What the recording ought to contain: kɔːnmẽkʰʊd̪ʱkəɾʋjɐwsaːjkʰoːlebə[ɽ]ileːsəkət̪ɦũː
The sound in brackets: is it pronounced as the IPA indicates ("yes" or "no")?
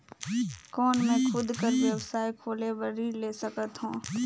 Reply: no